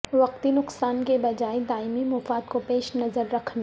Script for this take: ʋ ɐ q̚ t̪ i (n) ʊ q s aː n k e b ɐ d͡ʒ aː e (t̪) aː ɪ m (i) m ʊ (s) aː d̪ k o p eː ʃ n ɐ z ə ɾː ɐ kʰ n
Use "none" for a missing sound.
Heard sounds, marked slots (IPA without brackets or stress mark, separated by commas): n, d̪, i, f